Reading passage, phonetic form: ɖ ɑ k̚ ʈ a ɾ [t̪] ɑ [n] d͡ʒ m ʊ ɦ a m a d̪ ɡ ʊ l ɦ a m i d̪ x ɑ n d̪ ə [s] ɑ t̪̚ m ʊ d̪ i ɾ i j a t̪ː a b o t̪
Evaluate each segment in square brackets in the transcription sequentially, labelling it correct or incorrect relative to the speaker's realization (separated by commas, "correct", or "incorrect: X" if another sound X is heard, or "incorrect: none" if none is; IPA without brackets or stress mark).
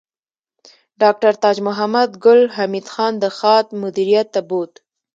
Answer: correct, incorrect: none, incorrect: x